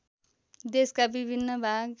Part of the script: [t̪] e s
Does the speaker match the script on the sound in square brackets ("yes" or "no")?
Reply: no